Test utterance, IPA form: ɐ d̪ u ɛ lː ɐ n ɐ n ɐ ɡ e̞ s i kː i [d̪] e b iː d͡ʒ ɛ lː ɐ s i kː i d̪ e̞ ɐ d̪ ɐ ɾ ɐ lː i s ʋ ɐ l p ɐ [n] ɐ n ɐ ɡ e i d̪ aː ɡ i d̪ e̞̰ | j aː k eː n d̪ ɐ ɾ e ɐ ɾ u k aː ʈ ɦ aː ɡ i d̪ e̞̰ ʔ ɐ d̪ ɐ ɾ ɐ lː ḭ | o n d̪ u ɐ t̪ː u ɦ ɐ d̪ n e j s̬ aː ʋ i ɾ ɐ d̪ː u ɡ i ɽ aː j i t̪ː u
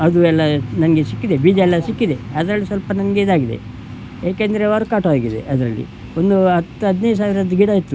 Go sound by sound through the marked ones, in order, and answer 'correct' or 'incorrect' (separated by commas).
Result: correct, correct